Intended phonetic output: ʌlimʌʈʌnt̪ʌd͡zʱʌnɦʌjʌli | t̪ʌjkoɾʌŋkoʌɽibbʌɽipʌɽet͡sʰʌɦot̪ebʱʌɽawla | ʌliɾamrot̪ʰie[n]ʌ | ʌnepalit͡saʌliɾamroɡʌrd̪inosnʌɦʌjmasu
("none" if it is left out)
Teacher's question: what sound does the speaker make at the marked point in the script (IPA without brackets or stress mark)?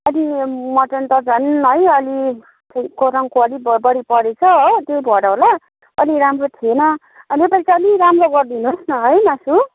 n